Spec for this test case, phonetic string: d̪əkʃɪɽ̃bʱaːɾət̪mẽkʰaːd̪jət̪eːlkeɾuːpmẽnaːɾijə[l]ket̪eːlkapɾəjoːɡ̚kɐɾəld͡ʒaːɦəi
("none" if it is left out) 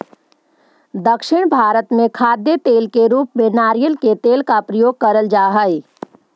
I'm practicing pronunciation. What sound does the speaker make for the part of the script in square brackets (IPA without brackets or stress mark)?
l